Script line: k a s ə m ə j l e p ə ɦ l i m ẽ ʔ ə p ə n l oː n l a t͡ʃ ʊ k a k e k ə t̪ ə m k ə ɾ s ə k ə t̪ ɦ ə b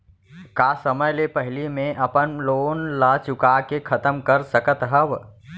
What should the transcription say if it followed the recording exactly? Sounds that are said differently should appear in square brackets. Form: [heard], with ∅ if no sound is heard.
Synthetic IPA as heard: k a s ə m ə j l e p ə ɦ l i m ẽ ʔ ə p ə n l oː n l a t͡ʃ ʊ k a k e [kʰ] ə t̪ ə m k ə ɾ s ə k ə t̪ ɦ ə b